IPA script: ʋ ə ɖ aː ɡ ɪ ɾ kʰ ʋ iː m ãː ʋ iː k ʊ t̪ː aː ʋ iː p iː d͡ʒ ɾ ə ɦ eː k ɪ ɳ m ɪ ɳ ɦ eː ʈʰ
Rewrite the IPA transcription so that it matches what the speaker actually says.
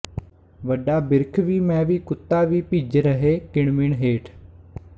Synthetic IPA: ʋ ə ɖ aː b ɪ ɾ kʰ ʋ iː m ɛ̃ː ʋ iː k ʊ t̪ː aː ʋ iː p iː d͡ʒ ɾ ə ɦ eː k ɪ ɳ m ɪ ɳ ɦ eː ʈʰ